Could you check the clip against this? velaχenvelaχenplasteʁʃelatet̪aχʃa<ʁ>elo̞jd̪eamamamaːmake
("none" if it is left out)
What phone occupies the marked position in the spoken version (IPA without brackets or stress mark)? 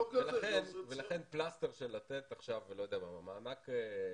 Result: v